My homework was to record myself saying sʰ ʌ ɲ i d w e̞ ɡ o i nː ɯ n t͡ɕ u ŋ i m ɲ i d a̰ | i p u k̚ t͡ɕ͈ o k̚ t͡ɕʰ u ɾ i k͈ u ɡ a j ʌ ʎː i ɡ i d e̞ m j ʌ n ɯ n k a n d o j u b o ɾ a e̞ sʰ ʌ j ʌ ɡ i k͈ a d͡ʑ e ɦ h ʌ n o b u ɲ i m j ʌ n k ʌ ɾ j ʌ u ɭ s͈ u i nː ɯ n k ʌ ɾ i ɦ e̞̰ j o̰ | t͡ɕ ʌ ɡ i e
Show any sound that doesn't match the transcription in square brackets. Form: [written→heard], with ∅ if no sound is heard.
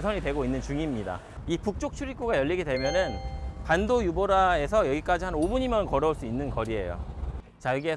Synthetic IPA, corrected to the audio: sʰ ʌ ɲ i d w e̞ ɡ o i nː ɯ n t͡ɕ u ŋ i m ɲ i d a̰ | i p u k̚ t͡ɕ͈ o k̚ t͡ɕʰ u ɾ i k͈ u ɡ a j ʌ ʎː i ɡ i d e̞ m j ʌ n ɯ n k a n d o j u b o ɾ a e̞ sʰ ʌ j ʌ ɡ i k͈ a d͡ʑ [e→i] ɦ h [ʌ→a] n o b u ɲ i m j ʌ n k ʌ ɾ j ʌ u ɭ s͈ u i nː ɯ n k ʌ ɾ i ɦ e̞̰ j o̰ | t͡ɕ [ʌ→a] ɡ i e